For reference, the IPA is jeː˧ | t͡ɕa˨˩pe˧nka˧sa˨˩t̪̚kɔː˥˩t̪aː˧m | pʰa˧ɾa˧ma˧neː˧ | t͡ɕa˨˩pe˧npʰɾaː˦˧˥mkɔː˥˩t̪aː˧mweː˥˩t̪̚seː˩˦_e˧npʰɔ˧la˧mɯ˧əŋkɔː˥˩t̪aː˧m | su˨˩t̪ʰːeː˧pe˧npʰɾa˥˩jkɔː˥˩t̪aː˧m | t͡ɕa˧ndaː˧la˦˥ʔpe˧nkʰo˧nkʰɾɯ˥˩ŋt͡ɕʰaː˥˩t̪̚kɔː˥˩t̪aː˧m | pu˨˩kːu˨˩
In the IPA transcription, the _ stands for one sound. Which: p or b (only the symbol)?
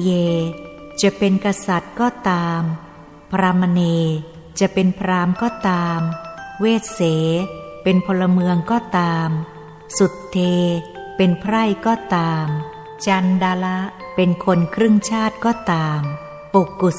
p